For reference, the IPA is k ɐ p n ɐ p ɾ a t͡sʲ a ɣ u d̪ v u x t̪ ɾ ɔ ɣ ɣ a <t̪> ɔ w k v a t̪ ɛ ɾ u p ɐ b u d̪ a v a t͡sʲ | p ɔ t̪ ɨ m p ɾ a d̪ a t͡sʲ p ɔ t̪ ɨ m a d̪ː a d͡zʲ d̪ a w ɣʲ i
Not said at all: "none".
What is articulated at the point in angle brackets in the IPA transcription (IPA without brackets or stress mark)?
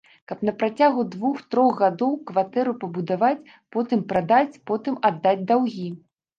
d̪